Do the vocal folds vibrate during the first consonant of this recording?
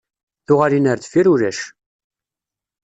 no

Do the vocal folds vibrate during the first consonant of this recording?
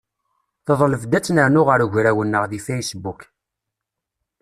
no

